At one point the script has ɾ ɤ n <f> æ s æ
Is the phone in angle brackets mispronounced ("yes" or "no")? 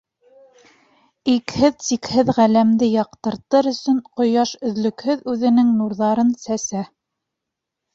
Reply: yes